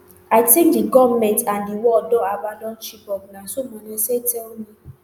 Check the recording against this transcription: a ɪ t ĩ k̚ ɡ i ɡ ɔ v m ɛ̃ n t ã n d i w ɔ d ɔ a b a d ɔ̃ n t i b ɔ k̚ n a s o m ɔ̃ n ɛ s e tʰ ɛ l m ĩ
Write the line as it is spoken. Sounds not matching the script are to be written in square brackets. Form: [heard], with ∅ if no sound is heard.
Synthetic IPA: a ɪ t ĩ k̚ [d] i ɡ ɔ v m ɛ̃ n t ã n d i w ɔ d ɔ a b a d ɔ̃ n [t͡ʃ] i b ɔ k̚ n a s o m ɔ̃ n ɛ s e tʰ ɛ l m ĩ

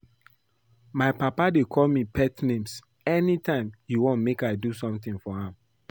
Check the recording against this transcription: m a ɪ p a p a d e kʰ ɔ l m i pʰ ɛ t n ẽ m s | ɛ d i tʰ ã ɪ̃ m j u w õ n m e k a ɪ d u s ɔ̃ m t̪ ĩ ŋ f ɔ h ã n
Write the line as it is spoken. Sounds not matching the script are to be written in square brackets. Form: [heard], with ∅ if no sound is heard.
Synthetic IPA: m a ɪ p a p a d e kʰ ɔ l m i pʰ ɛ t n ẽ m s | ɛ [n] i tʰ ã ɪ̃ m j u w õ n m e k a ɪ d u s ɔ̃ m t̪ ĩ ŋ f ɔ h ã [m]

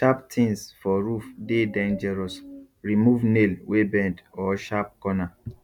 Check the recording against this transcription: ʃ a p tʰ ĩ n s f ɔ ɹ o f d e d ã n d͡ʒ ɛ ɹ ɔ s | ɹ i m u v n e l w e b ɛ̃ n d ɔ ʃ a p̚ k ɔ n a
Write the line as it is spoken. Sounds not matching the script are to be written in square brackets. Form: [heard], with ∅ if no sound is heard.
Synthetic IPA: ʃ a p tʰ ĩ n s f ɔ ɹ [u] f d e d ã n d͡ʒ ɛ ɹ ɔ s | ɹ i m u v n e l w e b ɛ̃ n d ɔ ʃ a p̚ k ɔ n a

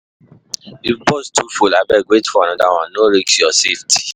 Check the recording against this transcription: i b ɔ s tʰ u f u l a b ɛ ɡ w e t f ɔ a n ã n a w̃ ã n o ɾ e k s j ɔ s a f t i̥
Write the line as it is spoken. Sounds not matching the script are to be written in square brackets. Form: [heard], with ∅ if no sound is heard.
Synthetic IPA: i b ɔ s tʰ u f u l a b ɛ ɡ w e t f ɔ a n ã [d] a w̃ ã n o ɾ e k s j ɔ s [e] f t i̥

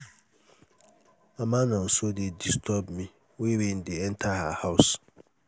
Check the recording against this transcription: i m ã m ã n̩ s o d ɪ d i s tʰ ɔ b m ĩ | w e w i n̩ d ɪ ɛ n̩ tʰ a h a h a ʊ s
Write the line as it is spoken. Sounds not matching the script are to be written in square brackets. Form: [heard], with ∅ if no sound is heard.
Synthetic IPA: [a] m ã [n] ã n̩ s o d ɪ d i s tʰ ɔ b m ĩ | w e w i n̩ d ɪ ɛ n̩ tʰ a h a h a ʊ s

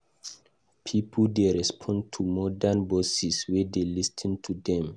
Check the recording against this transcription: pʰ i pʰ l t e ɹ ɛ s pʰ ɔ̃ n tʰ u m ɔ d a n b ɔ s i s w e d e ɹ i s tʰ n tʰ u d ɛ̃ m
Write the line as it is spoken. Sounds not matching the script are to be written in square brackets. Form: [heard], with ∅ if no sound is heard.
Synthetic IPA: pʰ i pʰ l [d] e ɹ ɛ s pʰ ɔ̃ n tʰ u m ɔ d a n b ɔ s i s w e d e [l] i s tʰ n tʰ u d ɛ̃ m

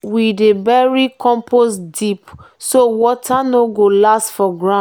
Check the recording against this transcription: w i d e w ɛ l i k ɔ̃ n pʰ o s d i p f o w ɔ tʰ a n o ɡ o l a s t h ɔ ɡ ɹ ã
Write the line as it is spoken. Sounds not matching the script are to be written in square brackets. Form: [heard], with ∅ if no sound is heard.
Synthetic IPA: w i d e [b] ɛ [ɹ] i k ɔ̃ [m] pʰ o s d i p [s] o w ɔ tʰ a n o ɡ o l a s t [f] ɔ ɡ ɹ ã

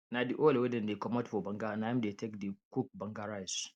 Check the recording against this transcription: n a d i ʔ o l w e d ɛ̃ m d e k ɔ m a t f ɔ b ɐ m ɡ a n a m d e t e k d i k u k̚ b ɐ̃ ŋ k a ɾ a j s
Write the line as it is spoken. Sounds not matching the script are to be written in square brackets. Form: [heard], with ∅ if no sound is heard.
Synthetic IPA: n a d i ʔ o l w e d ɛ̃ [n] d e k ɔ m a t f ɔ b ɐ [ŋ] ɡ a n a m d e t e k d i k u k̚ b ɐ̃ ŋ [ɡ] a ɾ a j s

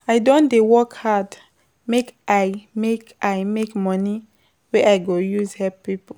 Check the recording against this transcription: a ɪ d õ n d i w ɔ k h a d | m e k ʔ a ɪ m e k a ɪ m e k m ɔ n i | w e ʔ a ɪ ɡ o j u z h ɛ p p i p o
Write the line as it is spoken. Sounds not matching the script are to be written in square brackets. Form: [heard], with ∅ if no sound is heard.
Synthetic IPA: a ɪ d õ n d [e] w ɔ k h a d | m e k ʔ a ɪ m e k a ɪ m e k m ɔ n i | w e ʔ a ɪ ɡ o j u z h ɛ p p i p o

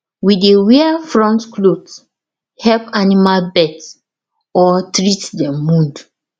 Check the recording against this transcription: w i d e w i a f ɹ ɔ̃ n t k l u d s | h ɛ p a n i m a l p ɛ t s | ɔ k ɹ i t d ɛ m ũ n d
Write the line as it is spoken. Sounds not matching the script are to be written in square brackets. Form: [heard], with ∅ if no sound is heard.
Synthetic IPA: w i d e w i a f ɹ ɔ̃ n t k l [o] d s | h ɛ p a n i m a l [b] ɛ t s | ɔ [t] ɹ i t d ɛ m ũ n d

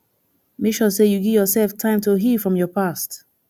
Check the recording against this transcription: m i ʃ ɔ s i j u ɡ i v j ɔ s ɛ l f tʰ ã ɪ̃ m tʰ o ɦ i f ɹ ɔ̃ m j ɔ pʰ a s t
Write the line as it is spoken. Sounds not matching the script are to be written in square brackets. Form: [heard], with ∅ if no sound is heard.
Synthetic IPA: m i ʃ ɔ s [e] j u ɡ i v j ɔ s ɛ l f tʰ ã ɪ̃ m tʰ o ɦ i f ɹ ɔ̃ m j ɔ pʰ a s t

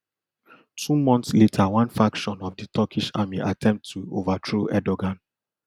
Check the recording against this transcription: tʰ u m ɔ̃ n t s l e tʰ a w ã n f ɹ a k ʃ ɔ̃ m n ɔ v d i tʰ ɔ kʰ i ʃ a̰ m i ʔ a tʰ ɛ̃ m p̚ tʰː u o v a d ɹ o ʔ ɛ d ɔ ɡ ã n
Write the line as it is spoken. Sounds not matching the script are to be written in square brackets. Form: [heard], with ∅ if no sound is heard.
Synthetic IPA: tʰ u m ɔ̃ n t s l e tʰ a w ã n f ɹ a k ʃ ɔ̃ [∅] n ɔ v d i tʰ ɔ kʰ i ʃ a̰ m i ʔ a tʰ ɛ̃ m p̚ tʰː u o v a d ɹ o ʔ ɛ d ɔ ɡ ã n

